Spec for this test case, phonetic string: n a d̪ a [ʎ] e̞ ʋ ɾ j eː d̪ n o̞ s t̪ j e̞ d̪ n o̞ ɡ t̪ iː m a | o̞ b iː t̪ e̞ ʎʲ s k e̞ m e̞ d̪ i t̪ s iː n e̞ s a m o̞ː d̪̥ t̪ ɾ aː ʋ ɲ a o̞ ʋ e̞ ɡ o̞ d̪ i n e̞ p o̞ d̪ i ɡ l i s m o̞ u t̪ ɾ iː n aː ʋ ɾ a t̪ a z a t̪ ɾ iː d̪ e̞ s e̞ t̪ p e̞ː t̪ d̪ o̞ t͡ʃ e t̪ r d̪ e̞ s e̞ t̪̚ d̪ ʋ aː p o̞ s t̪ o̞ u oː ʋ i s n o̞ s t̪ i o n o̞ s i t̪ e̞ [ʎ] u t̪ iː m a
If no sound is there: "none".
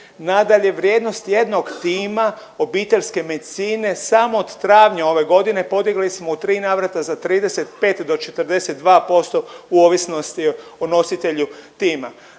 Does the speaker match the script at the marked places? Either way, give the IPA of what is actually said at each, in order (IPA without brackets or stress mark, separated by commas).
ʎ, ʎ